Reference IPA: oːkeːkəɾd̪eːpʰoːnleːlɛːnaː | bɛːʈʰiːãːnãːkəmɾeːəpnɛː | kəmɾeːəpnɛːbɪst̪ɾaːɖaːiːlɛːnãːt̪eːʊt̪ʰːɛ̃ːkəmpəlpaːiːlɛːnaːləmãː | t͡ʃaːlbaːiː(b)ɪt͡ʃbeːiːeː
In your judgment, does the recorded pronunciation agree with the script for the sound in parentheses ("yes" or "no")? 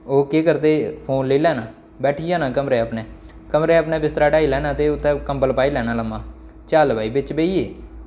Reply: yes